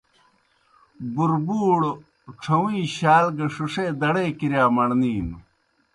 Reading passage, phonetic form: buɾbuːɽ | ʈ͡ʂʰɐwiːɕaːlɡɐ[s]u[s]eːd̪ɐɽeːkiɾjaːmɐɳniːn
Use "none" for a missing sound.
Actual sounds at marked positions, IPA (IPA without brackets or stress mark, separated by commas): ʂ, ʂ